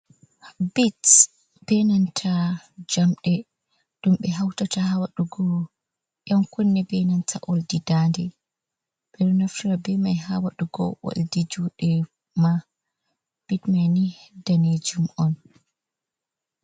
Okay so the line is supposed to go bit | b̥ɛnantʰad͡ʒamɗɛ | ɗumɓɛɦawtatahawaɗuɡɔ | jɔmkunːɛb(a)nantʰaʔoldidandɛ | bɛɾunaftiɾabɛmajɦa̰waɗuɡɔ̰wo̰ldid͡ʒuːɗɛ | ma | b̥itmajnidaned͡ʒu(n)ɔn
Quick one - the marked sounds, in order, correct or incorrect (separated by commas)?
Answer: incorrect, incorrect